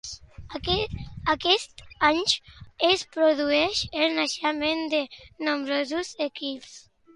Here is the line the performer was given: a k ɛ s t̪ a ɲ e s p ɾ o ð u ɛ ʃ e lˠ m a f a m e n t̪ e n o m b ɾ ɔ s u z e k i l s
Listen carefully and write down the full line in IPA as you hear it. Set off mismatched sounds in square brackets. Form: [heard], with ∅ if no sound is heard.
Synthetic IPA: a k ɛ s t̪ a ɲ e s p ɾ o ð u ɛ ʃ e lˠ [n] a [ʃ] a m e n [d̪] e n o m b ɾ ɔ [z] u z e k i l s